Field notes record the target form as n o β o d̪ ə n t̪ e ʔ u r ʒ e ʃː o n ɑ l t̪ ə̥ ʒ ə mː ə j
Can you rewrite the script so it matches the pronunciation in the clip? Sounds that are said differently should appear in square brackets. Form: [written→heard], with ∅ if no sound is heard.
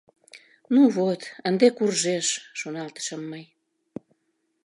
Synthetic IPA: n [o→u] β o [d̪→t̪] ə n [t̪→d̪] e [ʔ→k] u r ʒ e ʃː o n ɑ l t̪ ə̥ [ʒ→ʃ] ə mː ə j